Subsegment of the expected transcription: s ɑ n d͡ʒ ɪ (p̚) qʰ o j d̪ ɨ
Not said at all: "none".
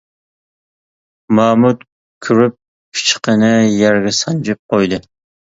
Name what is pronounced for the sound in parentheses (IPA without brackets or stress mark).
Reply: p̚